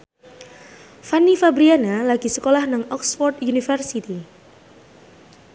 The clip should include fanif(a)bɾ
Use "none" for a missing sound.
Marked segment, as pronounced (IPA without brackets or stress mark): a